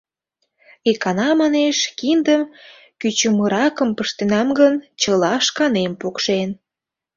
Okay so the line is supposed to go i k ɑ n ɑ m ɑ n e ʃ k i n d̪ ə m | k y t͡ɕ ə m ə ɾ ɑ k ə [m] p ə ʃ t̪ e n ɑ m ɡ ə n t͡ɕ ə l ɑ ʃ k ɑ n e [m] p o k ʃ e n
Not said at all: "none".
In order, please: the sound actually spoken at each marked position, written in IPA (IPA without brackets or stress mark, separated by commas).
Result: m, m